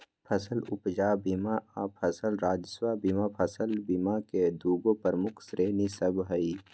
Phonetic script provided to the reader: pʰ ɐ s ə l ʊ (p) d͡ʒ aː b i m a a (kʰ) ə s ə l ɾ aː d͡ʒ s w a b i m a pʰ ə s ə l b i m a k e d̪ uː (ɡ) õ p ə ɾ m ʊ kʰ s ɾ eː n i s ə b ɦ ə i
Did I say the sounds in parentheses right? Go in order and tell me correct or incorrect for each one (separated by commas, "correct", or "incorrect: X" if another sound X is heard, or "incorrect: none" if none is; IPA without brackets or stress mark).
correct, incorrect: pʰ, correct